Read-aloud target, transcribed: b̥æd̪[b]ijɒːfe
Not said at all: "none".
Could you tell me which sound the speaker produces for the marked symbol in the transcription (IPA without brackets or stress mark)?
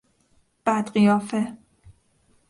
ɢ